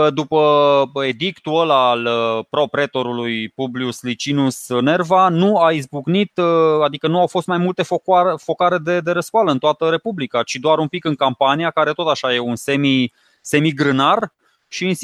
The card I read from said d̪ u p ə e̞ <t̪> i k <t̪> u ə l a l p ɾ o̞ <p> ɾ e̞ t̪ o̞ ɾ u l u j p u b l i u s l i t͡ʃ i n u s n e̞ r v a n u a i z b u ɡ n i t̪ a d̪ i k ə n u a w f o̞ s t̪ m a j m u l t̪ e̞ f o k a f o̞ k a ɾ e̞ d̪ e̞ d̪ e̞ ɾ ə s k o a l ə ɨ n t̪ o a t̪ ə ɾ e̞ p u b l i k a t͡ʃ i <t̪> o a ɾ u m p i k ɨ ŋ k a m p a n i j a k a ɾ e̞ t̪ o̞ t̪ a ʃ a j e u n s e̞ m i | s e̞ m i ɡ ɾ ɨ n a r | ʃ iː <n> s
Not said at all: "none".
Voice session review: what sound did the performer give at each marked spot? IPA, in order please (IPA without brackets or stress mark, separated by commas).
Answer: d̪, t̪, p, d̪, n